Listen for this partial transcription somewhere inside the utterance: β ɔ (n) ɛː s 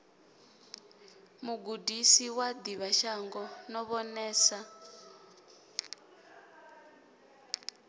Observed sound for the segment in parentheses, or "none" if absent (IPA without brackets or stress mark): n